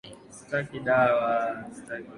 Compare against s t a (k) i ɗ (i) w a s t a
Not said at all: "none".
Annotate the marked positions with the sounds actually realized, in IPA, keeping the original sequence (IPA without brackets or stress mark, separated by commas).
k, a